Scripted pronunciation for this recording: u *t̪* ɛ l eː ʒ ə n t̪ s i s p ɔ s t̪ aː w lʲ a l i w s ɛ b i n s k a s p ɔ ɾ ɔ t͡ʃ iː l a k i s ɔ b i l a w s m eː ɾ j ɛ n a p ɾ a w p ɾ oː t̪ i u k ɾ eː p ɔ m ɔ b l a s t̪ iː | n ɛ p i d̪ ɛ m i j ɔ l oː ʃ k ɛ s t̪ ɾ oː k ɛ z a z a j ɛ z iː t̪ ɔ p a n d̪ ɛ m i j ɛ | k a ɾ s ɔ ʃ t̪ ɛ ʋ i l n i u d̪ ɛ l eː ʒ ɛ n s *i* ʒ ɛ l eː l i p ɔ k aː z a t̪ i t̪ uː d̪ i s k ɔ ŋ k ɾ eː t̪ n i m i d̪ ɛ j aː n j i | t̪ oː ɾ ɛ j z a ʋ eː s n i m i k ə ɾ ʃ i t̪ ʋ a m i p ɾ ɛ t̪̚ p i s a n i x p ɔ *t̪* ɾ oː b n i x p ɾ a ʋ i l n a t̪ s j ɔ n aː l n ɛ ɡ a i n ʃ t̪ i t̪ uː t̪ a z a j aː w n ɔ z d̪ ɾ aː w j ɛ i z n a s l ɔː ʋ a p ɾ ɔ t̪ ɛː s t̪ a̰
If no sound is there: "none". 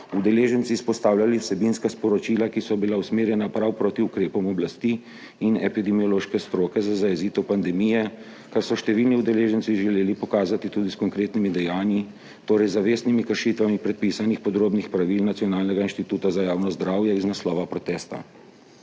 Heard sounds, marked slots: d̪, i, d̪

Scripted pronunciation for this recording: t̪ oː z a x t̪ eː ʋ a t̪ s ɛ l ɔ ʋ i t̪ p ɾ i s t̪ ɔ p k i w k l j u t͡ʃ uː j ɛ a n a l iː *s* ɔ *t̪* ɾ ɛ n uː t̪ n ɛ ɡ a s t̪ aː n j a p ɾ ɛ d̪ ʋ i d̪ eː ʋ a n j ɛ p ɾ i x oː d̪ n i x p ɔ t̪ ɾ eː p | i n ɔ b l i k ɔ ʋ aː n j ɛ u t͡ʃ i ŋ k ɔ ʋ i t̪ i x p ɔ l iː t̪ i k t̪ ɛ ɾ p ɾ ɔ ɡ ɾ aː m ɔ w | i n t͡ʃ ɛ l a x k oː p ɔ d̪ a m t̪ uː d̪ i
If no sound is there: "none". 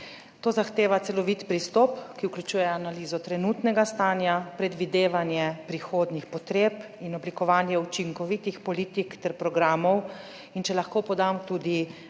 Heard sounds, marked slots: z, t̪

